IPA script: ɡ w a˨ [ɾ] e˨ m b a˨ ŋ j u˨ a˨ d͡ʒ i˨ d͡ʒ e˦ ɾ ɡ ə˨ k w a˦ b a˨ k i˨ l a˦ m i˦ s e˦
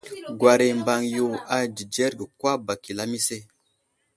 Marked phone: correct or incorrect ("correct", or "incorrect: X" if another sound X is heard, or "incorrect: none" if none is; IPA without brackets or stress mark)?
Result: correct